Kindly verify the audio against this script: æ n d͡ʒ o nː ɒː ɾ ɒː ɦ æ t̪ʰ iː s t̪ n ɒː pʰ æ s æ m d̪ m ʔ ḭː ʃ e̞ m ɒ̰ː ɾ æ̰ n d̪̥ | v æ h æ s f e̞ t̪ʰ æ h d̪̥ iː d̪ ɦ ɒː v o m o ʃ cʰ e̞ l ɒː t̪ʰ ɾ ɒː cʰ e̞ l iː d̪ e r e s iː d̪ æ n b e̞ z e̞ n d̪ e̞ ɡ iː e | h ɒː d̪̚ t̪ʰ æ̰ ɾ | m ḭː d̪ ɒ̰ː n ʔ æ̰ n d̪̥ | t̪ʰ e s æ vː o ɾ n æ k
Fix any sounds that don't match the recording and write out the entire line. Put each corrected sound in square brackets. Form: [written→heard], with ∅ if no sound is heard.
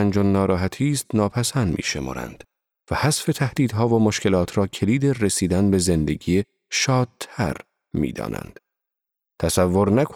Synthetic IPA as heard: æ n d͡ʒ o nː ɒː ɾ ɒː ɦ æ t̪ʰ iː s t̪ n ɒː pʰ æ s æ [m→n] d̪ m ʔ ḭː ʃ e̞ m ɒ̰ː ɾ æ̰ n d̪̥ | v æ h æ s f e̞ t̪ʰ æ h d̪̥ iː d̪ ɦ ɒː v o m o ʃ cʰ e̞ l ɒː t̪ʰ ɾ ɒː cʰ e̞ l iː d̪ e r e s iː d̪ æ n b e̞ z e̞ n d̪ e̞ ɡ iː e | [h→ʃ] ɒː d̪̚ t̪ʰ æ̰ ɾ | m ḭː d̪ ɒ̰ː n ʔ æ̰ n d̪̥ | t̪ʰ [e→æ] s æ vː o ɾ n æ k